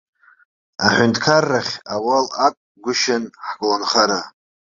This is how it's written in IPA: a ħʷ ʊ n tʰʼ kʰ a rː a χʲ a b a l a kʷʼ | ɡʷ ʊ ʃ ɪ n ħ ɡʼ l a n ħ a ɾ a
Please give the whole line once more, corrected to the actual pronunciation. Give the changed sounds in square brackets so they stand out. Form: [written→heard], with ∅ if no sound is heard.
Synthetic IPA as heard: a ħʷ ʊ n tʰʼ kʰ a rː a χʲ a [b→w] a l a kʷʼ | ɡʷ ʊ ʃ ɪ n ħ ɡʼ l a n [ħ→χ] a ɾ a